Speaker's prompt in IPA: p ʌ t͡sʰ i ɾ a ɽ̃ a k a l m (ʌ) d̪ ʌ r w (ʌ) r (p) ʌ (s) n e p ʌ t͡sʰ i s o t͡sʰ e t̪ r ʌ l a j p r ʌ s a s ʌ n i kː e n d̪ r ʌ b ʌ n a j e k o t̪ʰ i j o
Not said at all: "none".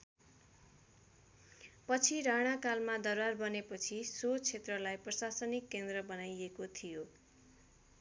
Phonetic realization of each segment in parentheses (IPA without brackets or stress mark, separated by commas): a, a, b, none